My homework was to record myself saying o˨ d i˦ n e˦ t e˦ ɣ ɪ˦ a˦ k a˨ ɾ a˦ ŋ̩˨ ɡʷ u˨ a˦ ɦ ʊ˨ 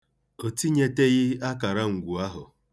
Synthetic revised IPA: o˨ t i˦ ɲ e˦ t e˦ ɣ ɪ˦ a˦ k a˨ ɾ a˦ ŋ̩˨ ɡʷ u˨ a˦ ɦ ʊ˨